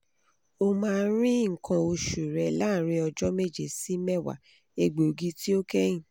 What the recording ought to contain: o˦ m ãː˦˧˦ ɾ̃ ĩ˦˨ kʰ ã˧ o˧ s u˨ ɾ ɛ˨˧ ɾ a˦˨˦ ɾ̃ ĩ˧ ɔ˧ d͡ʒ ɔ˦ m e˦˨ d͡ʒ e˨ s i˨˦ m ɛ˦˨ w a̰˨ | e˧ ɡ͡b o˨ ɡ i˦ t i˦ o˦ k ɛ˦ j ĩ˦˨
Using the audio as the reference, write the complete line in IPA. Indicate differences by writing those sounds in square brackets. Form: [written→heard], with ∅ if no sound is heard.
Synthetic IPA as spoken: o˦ m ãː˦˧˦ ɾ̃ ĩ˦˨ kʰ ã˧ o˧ [s→ʃ] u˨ ɾ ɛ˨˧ [ɾ→l] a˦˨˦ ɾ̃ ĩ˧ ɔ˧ d͡ʒ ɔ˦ m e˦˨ d͡ʒ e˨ s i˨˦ m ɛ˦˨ w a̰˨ | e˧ ɡ͡b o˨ ɡ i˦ t i˦ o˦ k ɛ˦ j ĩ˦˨